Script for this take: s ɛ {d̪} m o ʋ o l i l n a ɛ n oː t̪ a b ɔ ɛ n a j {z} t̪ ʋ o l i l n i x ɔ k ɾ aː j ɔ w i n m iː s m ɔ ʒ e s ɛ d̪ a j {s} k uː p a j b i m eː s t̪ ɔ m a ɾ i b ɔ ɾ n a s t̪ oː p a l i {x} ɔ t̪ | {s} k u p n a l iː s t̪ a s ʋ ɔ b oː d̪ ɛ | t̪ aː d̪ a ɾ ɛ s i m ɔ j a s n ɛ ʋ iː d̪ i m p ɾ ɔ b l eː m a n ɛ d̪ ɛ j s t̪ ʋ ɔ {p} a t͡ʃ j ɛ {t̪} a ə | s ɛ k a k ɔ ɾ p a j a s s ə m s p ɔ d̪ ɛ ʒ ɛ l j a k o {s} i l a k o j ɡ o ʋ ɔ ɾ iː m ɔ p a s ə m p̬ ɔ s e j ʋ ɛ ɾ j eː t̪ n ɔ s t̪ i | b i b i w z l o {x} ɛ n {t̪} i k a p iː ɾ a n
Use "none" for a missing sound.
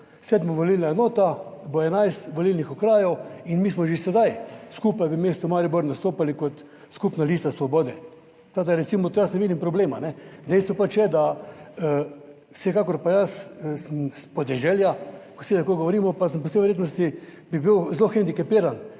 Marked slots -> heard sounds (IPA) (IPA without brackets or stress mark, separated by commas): d̪, s, s, k, s, p, d̪, s, x, d̪